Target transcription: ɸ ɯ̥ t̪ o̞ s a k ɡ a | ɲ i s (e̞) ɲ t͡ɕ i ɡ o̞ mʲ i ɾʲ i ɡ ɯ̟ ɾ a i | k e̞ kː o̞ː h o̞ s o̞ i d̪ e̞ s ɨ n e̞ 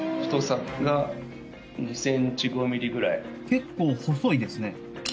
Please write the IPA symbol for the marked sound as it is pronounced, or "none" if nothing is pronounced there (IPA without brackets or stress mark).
ẽ̞